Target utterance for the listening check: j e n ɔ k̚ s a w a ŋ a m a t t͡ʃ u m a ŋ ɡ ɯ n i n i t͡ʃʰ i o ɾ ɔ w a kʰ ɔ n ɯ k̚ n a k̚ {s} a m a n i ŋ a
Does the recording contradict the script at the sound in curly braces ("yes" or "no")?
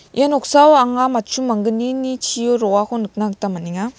yes